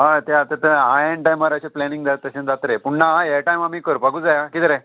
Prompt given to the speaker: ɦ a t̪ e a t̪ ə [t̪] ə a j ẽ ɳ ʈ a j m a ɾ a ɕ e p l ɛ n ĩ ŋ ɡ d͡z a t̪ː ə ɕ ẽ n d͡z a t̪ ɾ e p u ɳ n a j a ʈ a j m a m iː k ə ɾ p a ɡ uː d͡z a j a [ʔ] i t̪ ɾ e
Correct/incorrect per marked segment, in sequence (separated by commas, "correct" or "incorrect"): correct, incorrect